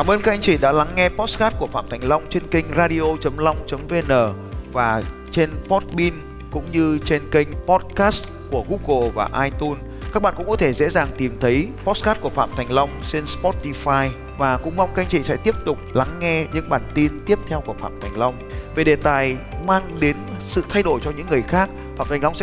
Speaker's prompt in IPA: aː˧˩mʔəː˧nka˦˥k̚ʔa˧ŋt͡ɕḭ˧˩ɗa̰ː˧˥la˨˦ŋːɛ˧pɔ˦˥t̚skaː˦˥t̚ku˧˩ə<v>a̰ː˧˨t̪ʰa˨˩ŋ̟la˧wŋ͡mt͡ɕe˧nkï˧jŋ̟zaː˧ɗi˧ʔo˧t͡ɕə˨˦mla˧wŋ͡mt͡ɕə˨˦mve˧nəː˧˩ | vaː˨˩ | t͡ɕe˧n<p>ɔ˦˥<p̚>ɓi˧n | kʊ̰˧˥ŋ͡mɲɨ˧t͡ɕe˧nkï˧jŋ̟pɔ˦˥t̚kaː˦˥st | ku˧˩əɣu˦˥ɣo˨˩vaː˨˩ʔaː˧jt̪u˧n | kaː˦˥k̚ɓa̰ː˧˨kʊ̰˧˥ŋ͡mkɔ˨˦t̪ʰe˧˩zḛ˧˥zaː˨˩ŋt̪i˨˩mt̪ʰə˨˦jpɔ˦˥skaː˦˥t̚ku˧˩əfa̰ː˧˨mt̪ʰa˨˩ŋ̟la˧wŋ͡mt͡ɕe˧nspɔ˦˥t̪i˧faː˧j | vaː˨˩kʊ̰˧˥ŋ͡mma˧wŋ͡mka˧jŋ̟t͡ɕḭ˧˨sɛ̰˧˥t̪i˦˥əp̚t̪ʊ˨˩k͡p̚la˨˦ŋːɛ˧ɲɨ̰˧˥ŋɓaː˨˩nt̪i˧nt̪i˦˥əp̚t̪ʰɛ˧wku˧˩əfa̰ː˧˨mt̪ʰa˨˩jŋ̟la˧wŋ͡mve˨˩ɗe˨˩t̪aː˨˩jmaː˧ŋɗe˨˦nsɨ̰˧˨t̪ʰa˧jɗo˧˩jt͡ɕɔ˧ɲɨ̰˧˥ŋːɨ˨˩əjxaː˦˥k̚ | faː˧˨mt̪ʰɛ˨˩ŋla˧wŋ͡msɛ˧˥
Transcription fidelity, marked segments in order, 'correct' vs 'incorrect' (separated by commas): incorrect, correct, incorrect